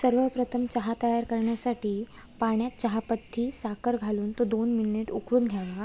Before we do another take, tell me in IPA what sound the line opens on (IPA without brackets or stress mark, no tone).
s